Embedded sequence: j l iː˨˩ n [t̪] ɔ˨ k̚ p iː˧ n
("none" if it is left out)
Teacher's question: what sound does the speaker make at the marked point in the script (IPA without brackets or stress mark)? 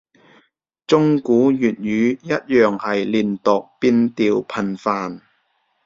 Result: t̪